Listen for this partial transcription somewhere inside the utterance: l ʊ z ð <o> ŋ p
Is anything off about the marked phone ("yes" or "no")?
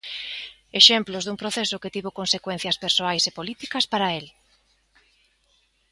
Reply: yes